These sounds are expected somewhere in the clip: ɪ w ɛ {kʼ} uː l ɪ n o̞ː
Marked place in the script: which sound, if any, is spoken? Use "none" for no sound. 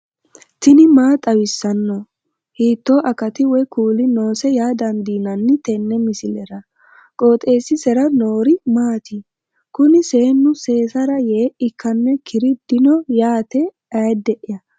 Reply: k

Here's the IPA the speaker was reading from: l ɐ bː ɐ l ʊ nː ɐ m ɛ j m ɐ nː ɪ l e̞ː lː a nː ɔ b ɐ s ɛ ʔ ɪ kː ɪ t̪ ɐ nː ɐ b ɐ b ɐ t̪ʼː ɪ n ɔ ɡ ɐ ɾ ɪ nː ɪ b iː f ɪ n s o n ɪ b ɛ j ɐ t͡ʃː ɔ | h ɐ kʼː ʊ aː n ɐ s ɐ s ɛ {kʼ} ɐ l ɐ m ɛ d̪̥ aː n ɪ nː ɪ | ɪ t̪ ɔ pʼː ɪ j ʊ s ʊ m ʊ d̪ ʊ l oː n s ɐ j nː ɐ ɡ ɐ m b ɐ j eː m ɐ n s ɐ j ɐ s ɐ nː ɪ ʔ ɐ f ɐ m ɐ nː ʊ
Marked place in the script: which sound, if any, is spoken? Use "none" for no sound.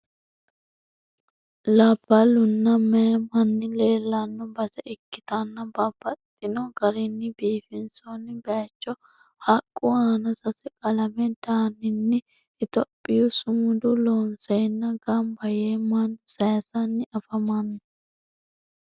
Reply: kʼ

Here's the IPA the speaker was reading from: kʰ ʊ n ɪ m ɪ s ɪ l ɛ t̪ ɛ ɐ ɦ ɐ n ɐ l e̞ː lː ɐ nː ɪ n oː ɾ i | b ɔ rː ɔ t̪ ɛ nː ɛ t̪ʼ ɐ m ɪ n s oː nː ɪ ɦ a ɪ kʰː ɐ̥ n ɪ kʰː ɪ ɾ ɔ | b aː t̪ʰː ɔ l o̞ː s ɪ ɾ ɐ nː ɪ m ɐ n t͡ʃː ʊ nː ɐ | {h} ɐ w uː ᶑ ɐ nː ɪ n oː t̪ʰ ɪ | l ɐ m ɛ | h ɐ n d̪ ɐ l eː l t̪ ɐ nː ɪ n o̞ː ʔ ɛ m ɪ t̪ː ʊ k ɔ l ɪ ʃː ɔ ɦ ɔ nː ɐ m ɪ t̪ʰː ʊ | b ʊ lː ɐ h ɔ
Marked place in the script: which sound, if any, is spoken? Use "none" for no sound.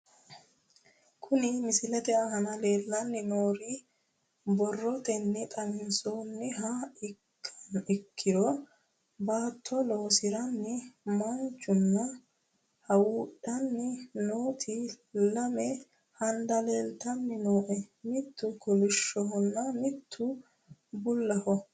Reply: h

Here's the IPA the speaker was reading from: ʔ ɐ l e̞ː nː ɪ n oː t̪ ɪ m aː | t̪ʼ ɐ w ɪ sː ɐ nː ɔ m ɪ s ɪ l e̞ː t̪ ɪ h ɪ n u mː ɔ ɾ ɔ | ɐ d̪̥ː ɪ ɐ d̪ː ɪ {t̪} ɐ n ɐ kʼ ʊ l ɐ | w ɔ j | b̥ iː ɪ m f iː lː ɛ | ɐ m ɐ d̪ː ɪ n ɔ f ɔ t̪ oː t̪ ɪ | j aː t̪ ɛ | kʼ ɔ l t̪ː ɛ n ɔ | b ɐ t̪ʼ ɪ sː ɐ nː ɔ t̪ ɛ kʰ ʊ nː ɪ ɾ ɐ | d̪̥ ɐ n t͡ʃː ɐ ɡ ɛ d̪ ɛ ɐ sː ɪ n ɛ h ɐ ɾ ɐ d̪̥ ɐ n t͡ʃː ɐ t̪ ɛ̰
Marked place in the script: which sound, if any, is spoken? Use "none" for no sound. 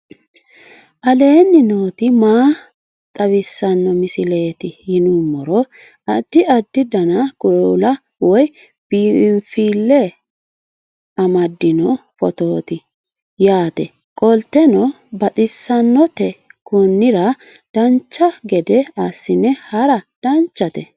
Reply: d̪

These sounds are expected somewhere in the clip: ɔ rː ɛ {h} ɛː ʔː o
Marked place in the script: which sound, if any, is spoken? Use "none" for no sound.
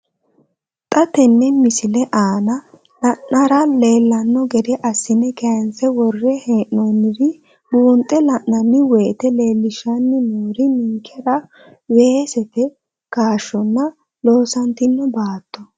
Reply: h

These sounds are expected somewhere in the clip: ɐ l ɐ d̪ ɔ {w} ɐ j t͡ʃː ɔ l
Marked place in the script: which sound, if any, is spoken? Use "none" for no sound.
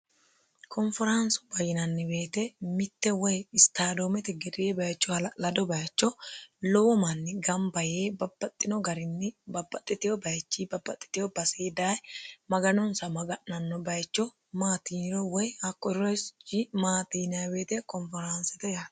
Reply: b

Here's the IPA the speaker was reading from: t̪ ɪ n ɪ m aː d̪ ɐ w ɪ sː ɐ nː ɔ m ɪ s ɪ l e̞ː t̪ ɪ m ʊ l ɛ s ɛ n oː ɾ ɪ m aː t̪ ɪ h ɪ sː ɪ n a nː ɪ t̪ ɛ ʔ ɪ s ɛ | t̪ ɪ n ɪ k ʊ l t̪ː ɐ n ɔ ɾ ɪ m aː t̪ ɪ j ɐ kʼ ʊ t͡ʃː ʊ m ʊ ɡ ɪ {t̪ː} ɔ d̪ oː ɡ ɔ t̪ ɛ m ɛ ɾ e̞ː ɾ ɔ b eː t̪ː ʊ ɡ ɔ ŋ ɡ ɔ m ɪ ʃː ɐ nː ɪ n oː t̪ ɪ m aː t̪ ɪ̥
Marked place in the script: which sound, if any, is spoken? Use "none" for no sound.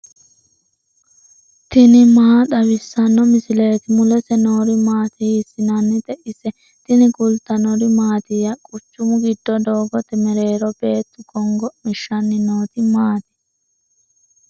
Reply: d̪ː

